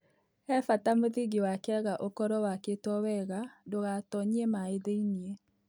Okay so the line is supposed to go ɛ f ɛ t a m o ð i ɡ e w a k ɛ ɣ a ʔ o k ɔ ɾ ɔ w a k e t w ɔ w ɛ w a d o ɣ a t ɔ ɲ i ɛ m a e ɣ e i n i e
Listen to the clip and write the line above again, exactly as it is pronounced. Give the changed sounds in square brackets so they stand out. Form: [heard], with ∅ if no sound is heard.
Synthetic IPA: ɛ f [a] t a m o ð i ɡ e w a k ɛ ɣ a ʔ o k ɔ ɾ ɔ w a k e t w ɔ w ɛ [ɣ] a d o ɣ a t ɔ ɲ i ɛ m a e [ð] e i n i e